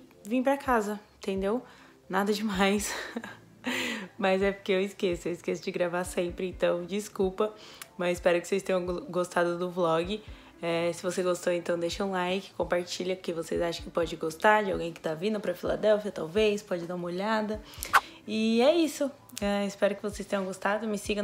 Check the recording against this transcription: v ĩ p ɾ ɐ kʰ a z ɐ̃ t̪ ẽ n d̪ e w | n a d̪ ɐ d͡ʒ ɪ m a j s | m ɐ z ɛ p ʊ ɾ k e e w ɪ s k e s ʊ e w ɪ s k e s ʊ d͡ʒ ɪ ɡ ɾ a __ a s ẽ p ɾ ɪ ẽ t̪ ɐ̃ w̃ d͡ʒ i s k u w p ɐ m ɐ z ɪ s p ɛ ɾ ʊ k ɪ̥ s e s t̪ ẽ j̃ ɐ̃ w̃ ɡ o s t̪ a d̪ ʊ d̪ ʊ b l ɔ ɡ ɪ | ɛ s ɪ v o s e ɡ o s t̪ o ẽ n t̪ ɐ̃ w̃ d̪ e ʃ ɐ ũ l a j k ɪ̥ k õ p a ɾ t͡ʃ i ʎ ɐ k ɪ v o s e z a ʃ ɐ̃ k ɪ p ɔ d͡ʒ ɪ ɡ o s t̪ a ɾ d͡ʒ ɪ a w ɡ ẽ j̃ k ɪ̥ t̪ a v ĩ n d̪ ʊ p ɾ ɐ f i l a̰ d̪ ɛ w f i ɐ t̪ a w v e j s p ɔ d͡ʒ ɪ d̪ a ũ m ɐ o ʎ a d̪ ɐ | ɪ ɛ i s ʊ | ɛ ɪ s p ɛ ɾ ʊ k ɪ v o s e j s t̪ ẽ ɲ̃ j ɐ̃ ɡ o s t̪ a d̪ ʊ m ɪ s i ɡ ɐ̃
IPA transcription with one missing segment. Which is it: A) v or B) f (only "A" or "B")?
A